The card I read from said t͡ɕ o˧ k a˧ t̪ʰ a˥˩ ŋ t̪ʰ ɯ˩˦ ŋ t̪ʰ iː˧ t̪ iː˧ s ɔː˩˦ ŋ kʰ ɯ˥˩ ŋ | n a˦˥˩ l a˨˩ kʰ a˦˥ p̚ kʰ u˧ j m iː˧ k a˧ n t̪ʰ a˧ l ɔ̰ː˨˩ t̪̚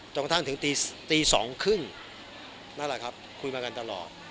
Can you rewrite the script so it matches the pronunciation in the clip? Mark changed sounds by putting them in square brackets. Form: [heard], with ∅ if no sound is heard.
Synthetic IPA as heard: t͡ɕ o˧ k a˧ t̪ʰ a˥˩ ŋ t̪ʰ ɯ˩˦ ŋ [t̪] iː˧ t̪ iː˧ s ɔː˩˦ ŋ kʰ ɯ˥˩ ŋ | n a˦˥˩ l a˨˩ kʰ a˦˥ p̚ kʰ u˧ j m [aː˧] k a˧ n [t̪] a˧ l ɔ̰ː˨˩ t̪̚